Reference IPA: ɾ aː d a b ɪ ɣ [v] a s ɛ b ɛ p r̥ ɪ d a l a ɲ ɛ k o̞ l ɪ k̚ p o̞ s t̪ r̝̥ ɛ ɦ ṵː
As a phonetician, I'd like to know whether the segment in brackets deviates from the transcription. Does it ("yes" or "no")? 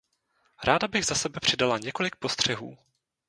yes